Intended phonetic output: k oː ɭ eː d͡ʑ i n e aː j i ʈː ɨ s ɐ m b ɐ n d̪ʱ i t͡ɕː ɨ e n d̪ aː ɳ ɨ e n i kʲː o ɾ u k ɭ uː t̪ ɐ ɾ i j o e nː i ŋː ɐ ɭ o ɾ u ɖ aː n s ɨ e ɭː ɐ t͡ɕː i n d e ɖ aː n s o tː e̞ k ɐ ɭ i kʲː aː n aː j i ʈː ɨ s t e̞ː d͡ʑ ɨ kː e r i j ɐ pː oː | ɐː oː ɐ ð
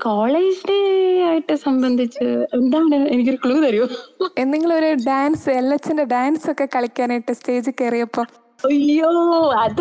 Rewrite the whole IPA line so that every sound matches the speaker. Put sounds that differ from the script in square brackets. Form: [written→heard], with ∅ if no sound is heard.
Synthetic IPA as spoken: k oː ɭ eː d͡ʑ i n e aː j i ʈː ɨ s ɐ m b ɐ n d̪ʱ i t͡ɕː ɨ e n d̪ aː ɳ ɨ e n i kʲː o ɾ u k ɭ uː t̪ ɐ ɾ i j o e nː i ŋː ɐ ɭ o ɾ u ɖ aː n s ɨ e [ɭː→lː] ɐ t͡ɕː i n d e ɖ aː n s o [tː→kː] e̞ k ɐ ɭ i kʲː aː n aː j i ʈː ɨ s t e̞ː d͡ʑ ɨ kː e r i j ɐ pː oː | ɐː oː ɐ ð